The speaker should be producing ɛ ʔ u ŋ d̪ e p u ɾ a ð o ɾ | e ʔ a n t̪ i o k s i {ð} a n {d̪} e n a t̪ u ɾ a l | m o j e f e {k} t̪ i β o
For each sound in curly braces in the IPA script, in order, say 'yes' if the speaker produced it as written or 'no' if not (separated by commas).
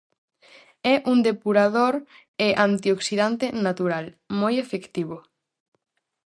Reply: yes, no, yes